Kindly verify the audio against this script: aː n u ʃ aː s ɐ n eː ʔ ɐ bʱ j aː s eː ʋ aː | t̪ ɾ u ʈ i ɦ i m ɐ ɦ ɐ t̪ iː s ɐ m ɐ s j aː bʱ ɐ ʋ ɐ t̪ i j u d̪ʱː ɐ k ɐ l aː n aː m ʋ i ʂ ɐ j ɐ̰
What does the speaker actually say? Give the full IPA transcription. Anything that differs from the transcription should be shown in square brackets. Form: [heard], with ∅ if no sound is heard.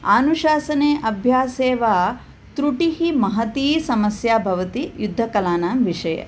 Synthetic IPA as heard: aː n u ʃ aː s ɐ n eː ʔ ɐ bʱ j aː s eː ʋ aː | t̪ ɾ u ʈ i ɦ i m ɐ ɦ ɐ t̪ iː s ɐ m ɐ s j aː bʱ ɐ ʋ ɐ t̪ i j u d̪ʱː ɐ k ɐ l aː n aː m ʋ i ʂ ɐ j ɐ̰